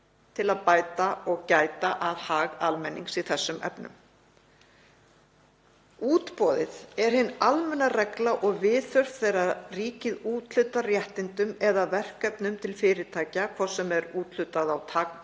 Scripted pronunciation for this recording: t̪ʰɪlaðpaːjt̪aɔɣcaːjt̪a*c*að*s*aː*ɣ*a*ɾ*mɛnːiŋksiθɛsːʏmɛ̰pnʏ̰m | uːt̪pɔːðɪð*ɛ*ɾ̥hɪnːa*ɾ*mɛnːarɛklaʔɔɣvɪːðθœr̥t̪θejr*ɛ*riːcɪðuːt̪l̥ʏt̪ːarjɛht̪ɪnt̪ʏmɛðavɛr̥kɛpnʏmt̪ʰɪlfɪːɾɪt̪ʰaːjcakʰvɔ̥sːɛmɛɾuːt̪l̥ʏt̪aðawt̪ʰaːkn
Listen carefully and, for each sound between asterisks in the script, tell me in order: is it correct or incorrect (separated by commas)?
incorrect, incorrect, correct, incorrect, correct, incorrect, incorrect